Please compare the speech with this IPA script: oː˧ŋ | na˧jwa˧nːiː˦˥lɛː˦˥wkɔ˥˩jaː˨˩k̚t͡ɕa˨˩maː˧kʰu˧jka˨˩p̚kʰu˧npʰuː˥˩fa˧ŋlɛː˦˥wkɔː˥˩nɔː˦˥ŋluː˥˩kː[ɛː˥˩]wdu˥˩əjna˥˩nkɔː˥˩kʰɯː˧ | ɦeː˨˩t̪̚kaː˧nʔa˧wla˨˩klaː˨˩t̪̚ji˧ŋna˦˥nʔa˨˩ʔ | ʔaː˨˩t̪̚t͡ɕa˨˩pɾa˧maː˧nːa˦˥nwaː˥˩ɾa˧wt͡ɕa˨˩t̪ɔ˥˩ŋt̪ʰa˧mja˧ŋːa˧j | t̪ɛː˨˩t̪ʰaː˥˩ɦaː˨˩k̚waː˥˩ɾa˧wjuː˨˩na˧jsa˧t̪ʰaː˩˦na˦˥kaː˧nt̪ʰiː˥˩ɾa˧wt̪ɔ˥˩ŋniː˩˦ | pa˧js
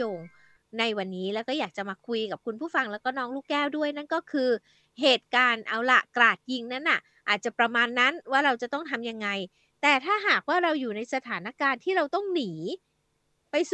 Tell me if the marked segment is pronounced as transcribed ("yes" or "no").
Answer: yes